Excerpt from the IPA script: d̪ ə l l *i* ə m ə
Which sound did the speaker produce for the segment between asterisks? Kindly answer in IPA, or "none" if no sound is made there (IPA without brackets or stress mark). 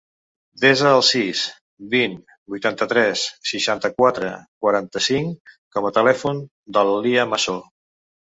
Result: i